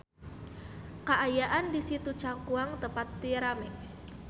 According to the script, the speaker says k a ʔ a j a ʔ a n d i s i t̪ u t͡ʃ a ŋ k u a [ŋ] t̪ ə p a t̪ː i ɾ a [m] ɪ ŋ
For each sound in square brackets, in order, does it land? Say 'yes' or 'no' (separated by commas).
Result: yes, yes